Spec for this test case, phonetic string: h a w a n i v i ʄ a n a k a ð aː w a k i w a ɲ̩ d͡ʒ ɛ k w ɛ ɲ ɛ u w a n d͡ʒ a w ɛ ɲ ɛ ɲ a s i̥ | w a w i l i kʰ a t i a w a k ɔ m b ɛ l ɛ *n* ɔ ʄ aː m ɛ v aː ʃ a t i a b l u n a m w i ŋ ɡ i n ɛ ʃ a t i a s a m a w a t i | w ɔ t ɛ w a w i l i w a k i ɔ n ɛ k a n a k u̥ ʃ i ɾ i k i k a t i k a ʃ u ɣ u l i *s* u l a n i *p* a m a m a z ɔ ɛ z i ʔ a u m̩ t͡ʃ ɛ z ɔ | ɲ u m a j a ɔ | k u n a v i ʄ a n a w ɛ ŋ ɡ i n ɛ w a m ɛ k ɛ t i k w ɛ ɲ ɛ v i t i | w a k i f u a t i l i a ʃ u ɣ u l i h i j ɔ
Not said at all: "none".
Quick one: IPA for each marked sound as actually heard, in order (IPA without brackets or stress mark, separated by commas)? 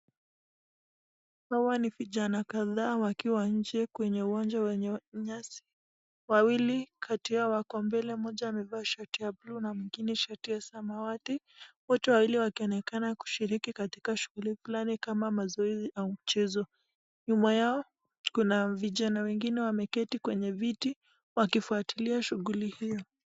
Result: m, f, k